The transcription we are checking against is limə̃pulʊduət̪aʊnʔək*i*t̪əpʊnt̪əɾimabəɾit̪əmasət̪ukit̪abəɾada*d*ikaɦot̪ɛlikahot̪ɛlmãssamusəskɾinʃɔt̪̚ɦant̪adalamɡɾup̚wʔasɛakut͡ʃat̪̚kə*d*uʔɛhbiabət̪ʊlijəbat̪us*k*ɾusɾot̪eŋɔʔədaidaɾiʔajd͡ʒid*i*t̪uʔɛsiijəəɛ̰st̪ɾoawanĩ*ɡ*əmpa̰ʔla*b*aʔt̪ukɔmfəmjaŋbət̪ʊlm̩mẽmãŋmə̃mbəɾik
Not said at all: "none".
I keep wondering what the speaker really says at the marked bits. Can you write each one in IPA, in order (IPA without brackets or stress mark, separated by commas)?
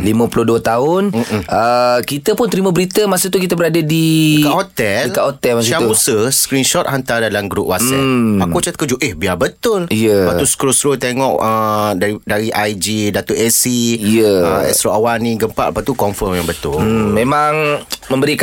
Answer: i, d, d͡ʒ, k, a, ɡ, p